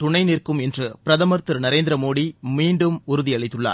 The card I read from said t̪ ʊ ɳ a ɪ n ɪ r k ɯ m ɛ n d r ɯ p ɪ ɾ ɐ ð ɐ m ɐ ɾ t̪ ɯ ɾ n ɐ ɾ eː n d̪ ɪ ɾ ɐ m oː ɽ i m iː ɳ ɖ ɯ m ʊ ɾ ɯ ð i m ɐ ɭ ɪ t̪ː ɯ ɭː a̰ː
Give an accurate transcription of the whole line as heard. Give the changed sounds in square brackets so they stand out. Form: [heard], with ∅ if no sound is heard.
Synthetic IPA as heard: t̪ ʊ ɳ [ɐ] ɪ n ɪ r k ɯ m ɛ n d r ɯ p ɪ ɾ ɐ ð ɐ m ɐ ɾ t̪ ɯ ɾ n ɐ ɾ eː n d̪ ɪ ɾ ɐ m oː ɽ i m iː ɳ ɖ ɯ m ʊ ɾ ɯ ð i [∅] ɐ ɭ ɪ t̪ː ɯ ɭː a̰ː